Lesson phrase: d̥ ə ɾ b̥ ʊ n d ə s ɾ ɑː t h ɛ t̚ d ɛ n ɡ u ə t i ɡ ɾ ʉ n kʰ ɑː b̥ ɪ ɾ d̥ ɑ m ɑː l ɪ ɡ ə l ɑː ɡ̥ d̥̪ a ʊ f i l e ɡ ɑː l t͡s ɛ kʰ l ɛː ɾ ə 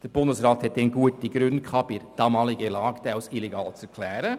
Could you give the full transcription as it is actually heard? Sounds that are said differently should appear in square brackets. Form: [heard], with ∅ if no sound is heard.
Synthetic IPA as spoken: d̥ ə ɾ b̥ ʊ n d ə s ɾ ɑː t h ɛ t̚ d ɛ n ɡ u ə t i ɡ ɾ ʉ n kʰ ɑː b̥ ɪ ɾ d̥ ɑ m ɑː l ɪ ɡ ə l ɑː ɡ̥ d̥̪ a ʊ [s] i l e ɡ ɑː l t͡s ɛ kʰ l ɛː ɾ ə